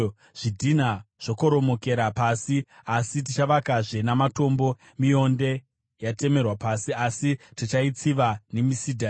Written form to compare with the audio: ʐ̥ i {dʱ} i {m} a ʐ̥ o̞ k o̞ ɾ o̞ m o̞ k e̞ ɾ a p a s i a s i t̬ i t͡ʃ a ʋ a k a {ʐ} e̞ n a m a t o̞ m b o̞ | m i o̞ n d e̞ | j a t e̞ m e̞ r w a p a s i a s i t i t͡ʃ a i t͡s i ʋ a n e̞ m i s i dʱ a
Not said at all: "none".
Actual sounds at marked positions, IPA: dʱ, n, ʐ

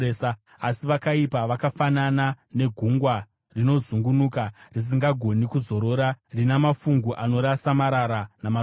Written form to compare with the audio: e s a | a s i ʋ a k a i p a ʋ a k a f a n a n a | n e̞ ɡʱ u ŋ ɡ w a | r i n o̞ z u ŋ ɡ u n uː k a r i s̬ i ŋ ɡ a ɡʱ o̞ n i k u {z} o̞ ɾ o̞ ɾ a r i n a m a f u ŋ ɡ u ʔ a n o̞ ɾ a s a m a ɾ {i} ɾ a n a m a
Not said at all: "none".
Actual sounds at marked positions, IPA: z, a

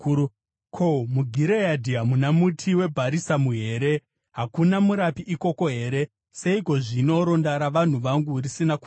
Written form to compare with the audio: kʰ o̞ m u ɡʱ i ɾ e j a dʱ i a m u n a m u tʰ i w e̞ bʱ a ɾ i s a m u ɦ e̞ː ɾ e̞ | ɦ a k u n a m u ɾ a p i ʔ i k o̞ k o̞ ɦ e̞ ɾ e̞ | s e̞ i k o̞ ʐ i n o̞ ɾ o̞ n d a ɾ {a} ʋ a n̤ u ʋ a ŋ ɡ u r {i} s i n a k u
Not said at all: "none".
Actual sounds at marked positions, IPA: a, i

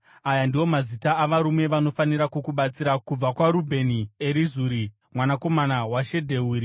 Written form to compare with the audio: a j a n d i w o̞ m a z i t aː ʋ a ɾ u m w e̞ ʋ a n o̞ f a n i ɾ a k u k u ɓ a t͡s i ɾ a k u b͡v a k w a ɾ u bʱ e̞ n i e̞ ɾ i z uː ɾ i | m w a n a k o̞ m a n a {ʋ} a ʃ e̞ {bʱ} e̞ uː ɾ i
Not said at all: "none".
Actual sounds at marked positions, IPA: w, dʱ

